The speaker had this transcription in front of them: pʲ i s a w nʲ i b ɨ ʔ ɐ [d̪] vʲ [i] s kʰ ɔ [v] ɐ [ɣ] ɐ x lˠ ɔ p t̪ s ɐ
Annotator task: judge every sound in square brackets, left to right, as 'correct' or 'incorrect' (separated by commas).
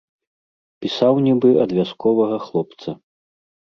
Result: correct, incorrect, correct, correct